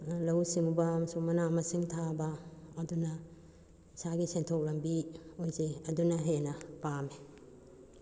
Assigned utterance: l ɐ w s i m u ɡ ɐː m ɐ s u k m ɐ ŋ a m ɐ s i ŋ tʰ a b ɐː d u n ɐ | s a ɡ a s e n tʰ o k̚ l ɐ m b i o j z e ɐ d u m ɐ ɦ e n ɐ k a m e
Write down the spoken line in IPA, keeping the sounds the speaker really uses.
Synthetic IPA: l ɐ w s i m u b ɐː m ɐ s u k m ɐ n a m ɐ s i ŋ tʰ a b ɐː d u n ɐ | s a ɡ i s e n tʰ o k̚ l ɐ m b i o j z e ɐ d u n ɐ ɦ e n ɐ p a m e